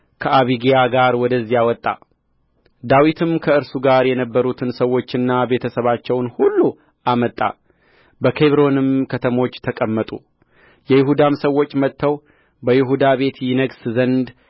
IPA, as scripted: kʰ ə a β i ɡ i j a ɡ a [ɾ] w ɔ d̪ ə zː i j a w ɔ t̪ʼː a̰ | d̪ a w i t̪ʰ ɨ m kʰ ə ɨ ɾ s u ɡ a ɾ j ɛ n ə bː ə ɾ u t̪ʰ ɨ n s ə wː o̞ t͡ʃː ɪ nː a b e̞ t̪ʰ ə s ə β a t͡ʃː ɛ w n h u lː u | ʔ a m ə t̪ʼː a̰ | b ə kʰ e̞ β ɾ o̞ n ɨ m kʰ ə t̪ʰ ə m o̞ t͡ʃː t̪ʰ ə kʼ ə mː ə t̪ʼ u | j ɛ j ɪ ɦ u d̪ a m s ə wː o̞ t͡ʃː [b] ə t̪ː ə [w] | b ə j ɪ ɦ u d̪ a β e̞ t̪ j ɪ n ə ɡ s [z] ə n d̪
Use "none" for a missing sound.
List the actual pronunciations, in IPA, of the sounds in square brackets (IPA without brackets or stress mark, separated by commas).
ɾ, m, w, z